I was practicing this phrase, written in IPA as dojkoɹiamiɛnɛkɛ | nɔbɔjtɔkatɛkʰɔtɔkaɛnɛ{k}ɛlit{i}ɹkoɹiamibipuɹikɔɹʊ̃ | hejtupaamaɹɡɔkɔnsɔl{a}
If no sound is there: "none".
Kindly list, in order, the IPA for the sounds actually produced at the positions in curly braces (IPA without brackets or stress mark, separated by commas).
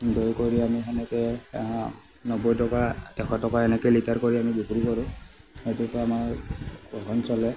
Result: k, a, ɛ